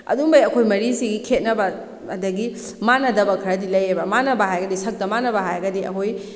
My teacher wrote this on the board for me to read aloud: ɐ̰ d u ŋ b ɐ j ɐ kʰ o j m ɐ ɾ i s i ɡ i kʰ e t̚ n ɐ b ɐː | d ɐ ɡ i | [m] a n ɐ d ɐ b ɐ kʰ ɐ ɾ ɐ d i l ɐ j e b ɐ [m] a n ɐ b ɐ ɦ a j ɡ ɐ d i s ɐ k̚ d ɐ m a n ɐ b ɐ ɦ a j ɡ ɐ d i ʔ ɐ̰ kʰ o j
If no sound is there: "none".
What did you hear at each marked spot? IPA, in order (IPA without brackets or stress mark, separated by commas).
m, m